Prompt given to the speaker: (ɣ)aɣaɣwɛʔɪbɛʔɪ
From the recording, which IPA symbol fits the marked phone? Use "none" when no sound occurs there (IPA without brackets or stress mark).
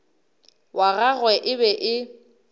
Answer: w